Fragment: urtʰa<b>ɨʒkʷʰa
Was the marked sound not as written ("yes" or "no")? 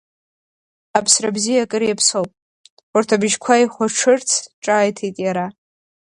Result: no